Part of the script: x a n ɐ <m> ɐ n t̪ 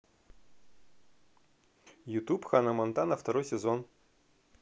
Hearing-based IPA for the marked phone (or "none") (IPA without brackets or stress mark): m